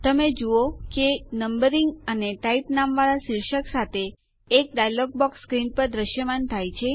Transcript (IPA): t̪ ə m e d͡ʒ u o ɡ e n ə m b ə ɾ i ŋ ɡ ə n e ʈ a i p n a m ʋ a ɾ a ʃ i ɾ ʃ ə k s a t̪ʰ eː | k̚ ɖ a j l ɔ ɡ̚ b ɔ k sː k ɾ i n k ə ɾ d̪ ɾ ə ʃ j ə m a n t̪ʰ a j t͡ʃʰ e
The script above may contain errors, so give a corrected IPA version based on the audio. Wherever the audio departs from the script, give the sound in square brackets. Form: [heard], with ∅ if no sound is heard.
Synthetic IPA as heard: t̪ ə m e d͡ʒ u o [k] e n ə m b ə ɾ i ŋ ɡ ə n e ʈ a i p n a m ʋ a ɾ a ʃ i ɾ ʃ ə k s a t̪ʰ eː | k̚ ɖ a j l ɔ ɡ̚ b ɔ k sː k ɾ i n [p] ə ɾ d̪ ɾ ə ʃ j ə m a n t̪ʰ a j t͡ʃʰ e